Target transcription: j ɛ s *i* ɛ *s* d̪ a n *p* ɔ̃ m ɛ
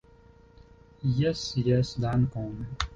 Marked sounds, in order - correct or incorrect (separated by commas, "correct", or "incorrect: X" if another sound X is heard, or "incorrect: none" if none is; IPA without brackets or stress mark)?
incorrect: j, correct, incorrect: k